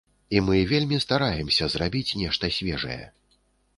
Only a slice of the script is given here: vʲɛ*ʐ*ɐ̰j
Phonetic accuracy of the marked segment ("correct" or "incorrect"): correct